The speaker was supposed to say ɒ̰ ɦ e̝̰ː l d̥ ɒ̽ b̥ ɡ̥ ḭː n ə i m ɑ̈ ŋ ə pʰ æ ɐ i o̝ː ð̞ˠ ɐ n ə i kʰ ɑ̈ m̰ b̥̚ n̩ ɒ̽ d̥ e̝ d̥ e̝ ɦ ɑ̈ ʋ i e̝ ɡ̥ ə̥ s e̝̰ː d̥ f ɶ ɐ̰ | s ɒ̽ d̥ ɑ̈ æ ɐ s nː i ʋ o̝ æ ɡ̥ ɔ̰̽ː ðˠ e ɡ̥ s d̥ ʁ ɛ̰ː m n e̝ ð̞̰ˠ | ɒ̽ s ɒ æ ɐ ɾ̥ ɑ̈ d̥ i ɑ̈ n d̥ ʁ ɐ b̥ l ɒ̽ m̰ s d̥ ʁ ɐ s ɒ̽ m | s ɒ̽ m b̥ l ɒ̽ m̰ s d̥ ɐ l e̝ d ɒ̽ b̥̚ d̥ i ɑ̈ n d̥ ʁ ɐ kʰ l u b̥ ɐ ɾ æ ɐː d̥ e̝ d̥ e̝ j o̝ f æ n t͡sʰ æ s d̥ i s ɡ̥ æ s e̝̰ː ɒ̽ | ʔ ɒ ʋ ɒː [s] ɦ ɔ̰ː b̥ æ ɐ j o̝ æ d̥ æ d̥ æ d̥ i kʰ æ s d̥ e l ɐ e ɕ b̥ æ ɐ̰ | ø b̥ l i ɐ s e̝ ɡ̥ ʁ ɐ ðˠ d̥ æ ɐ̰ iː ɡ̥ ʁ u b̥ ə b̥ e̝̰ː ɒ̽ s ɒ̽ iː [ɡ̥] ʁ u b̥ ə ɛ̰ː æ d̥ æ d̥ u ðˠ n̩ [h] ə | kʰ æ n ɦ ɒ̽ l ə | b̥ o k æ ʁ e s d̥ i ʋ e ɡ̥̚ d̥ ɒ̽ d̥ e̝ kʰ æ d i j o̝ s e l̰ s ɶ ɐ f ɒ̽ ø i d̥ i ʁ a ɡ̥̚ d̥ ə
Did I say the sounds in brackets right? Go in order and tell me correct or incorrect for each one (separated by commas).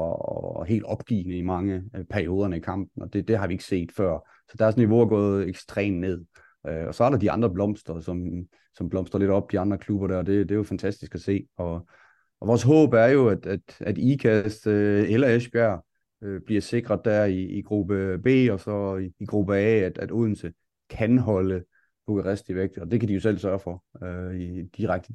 correct, correct, incorrect